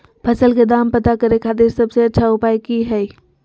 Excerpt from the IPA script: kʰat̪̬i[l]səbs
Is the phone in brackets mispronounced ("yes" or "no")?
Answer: yes